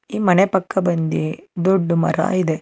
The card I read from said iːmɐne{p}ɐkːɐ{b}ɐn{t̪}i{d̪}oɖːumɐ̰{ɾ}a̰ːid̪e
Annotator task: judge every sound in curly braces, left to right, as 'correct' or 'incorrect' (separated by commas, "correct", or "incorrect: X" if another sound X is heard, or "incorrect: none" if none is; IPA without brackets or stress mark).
correct, correct, incorrect: d̪, correct, correct